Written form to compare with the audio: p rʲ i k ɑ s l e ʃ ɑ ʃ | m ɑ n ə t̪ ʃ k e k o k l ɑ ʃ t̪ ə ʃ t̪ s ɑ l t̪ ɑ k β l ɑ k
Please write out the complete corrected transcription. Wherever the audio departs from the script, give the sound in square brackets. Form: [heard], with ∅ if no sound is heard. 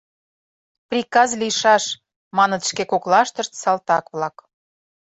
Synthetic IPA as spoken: p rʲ i k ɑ [z] l [i] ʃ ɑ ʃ | m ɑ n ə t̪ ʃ k e k o k l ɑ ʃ t̪ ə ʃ t̪ s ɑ l t̪ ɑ k β l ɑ k